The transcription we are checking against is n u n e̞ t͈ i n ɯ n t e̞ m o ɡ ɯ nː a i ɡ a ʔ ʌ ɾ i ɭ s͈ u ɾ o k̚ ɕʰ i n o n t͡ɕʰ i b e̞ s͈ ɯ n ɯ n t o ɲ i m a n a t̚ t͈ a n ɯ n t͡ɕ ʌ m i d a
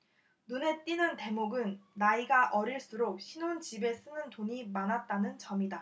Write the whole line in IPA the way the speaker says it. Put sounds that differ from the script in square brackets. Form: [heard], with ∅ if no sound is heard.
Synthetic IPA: n u n e̞ t͈ i n ɯ n t e̞ m o ɡ ɯ nː a i ɡ a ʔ ʌ ɾ i ɭ s͈ u ɾ o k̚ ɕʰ i n o n [t͡ɕ] i b e̞ s͈ ɯ n ɯ n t o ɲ i m a n a t̚ t͈ a n ɯ n t͡ɕ ʌ m i d a